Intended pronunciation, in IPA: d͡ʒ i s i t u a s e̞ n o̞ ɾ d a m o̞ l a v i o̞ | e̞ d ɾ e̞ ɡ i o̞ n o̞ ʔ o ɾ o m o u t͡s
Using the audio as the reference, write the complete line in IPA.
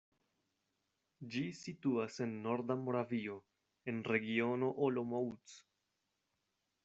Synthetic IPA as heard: d͡ʒ i s i t u a s e̞ nː o̞ ɾ d a m o̞ ɾ a v i o̞ | e̞ n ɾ e̞ ɡ i o̞ n o̞ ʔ o l o m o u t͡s